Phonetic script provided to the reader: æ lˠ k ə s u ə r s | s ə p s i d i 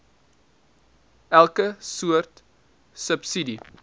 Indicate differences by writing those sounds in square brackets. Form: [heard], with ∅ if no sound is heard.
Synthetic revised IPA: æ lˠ k ə s u ə r [t] | s ə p s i d i